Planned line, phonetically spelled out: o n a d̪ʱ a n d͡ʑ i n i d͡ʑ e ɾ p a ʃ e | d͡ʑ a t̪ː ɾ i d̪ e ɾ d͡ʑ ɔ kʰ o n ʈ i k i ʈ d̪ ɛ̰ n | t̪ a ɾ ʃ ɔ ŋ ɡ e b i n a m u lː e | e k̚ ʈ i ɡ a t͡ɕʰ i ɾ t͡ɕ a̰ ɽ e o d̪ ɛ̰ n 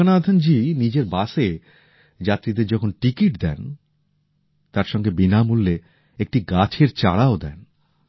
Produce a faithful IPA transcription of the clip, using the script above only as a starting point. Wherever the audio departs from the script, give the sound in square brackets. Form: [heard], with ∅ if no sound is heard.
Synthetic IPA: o n a d̪ʱ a n d͡ʑ i n i d͡ʑ e ɾ [b] a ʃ e | d͡ʑ a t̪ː ɾ i d̪ e ɾ d͡ʑ ɔ kʰ o n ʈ i k i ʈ d̪ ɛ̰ n | t̪ a ɾ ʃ ɔ ŋ ɡ e b i n a m u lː e | e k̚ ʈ i ɡ a t͡ɕʰ [e] ɾ t͡ɕ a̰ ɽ [a] o d̪ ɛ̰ n